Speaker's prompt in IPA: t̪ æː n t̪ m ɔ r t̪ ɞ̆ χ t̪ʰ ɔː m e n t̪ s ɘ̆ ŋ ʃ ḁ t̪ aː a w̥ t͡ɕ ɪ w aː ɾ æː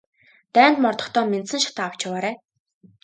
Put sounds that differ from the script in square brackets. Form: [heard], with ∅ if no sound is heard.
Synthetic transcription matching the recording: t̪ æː n t̪ m ɔ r t̪ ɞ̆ χ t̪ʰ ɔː m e n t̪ s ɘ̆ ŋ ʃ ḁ t̪ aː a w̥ t͡ɕ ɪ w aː ɾ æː